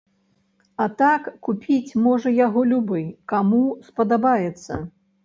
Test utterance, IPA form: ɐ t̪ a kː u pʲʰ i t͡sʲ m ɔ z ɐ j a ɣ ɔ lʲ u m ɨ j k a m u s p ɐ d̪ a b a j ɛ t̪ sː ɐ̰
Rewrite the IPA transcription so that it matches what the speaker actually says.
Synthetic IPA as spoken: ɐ t̪ a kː u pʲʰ i t͡sʲ m ɔ ʐ ɐ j a ɣ ɔ lʲ u b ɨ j k a m u s p ɐ d̪ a b a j ɛ t̪ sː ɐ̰